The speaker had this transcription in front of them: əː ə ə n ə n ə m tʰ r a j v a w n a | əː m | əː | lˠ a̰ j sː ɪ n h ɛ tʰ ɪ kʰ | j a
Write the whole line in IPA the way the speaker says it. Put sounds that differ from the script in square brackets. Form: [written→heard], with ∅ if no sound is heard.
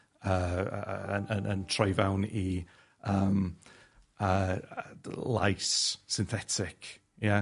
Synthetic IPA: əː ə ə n ə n ə [m→n] tʰ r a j v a w n [a→i] | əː m | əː | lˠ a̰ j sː ɪ n [h→θ] ɛ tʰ ɪ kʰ | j a